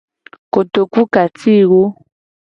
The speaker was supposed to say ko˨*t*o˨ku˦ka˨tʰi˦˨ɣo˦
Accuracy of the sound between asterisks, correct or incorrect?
correct